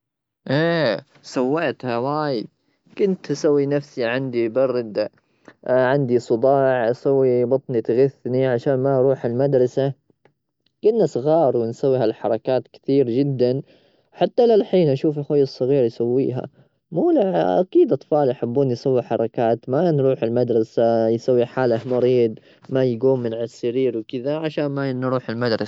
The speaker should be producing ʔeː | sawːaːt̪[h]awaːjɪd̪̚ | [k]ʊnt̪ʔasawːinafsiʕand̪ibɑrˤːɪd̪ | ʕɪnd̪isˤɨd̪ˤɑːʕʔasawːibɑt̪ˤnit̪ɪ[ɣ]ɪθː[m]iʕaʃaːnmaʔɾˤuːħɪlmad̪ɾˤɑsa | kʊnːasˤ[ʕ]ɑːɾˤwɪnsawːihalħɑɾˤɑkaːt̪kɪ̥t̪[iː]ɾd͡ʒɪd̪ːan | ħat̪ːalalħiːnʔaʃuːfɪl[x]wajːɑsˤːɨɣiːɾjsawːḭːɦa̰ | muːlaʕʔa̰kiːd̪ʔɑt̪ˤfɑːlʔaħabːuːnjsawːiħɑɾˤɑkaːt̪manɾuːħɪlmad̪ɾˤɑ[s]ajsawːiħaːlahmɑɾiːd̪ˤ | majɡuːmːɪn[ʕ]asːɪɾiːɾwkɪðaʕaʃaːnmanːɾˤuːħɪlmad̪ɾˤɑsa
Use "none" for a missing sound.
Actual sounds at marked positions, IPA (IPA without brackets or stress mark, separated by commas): h, k, ɣ, n, ɣ, iː, x, s, ʕ